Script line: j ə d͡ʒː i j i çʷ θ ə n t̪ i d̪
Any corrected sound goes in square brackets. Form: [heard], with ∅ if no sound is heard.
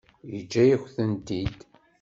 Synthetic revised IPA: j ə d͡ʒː [æ] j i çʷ θ ə n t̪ i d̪